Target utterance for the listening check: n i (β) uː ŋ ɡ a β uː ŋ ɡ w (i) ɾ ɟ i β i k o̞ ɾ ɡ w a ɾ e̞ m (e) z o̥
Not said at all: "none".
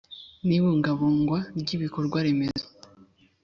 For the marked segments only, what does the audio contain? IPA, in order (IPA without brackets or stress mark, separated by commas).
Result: β, a, e